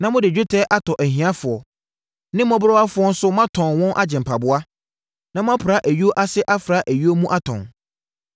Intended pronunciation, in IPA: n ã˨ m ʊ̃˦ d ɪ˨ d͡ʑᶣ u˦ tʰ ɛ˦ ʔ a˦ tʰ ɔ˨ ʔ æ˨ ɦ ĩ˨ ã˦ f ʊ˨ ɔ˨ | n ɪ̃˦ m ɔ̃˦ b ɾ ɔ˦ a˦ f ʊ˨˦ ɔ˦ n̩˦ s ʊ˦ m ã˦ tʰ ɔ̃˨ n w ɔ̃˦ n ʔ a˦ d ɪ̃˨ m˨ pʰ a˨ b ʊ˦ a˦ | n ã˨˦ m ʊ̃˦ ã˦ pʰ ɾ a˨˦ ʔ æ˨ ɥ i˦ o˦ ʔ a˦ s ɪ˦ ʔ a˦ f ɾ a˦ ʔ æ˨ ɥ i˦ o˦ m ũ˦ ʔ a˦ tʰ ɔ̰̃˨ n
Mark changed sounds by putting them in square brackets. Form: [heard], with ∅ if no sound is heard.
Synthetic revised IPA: n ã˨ m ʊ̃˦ d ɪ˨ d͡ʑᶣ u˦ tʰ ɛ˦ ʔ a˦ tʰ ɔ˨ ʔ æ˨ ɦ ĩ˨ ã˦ f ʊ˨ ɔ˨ | n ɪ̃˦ m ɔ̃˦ b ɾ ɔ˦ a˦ f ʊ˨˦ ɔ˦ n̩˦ s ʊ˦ m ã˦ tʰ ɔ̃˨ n w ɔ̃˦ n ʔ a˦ [d͡ʑ] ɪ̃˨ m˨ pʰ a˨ b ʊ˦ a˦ | n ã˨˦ m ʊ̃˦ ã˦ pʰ ɾ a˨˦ ʔ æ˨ ɥ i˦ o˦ ʔ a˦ s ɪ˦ ʔ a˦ f ɾ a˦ ʔ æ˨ ɥ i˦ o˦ m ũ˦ ʔ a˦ tʰ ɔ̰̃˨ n